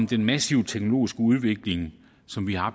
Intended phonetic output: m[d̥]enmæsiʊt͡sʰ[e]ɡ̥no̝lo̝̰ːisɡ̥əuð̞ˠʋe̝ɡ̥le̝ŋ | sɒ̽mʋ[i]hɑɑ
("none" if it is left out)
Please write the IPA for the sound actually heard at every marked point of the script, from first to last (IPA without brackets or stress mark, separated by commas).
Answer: d̥, e, i